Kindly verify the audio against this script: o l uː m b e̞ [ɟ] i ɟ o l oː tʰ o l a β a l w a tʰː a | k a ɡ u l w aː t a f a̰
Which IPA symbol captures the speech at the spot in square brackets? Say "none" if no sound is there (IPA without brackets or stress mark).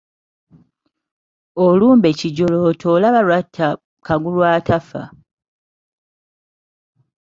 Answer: c